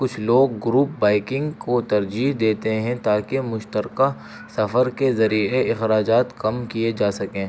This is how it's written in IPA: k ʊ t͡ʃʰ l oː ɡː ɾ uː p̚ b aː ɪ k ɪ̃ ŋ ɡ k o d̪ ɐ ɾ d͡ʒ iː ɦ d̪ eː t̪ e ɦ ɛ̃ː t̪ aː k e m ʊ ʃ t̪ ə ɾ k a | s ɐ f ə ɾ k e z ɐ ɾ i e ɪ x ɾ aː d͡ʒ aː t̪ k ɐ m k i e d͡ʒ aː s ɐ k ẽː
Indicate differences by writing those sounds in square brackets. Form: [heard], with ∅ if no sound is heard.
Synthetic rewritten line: k ʊ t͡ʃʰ l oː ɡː ɾ uː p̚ b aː ɪ k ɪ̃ ŋ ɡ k o [t̪] ɐ ɾ d͡ʒ iː ɦ d̪ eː t̪ e ɦ [ɛ̃] t̪ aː k e m ʊ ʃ t̪ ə ɾ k a | s ɐ f ə ɾ k e z ɐ ɾ i e ɪ x ɾ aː d͡ʒ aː t̪ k ɐ m k i e d͡ʒ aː s ɐ k ẽː